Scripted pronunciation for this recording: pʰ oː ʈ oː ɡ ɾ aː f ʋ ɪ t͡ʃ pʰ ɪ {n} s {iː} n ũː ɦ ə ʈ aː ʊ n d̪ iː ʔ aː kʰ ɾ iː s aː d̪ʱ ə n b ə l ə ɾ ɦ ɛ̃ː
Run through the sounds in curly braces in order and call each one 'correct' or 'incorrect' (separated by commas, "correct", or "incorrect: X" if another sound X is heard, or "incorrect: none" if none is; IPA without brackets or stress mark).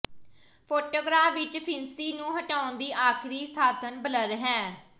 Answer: correct, correct